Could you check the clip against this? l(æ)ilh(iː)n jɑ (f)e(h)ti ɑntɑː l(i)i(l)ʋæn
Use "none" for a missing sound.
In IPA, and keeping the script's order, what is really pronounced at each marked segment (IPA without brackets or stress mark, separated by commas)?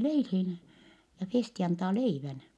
e, iː, f, s, e, none